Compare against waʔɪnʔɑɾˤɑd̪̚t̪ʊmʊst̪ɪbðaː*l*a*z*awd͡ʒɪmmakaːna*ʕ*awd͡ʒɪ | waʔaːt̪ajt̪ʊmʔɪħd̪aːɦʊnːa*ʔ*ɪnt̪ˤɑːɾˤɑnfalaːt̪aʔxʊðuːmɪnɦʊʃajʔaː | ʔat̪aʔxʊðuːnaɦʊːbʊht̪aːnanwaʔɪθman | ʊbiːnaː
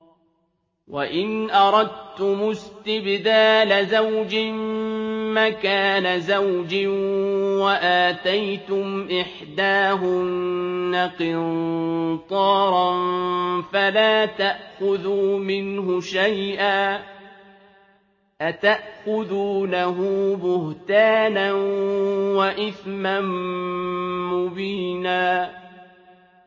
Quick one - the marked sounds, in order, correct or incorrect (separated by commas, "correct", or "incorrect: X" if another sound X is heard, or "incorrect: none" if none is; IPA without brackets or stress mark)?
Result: correct, correct, incorrect: z, incorrect: q